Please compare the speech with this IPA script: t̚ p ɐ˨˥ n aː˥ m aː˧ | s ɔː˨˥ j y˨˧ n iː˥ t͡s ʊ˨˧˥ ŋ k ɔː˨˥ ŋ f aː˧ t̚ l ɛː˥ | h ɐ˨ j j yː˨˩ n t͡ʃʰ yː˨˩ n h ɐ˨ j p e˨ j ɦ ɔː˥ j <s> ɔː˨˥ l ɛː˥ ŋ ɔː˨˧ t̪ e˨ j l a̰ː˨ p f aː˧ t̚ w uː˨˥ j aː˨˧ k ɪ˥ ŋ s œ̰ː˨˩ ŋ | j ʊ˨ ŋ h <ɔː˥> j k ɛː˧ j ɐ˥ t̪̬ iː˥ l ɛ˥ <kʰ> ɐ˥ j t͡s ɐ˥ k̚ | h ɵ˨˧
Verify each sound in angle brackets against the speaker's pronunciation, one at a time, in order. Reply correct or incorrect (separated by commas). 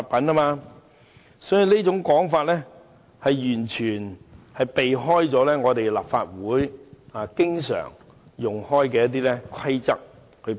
incorrect, correct, correct